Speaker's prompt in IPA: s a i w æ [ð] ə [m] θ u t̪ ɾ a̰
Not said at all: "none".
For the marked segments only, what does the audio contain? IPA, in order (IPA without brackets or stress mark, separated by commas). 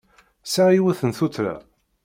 θ, n